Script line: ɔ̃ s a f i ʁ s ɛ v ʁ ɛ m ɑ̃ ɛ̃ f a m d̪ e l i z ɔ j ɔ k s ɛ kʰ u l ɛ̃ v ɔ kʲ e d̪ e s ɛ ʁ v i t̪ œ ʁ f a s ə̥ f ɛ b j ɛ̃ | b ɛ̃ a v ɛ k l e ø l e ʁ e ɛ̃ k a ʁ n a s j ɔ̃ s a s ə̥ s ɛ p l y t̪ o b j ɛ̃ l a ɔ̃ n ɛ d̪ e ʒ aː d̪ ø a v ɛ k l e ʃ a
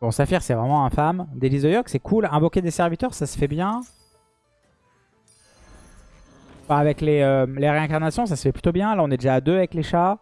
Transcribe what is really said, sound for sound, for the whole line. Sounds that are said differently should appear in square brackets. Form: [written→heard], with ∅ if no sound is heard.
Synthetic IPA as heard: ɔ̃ s a f i ʁ s ɛ v ʁ ɛ m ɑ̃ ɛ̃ f a m d̪ e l i z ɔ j ɔ k s ɛ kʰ u l ɛ̃ v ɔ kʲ e d̪ e s ɛ ʁ v i t̪ œ ʁ [f→s] a s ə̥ f ɛ b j ɛ̃ | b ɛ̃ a v ɛ k l e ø l e ʁ e ɛ̃ k a ʁ n a s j ɔ̃ s a s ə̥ [s→f] ɛ p l y t̪ o b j ɛ̃ l a ɔ̃ n ɛ d̪ e ʒ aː d̪ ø a v ɛ k l e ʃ a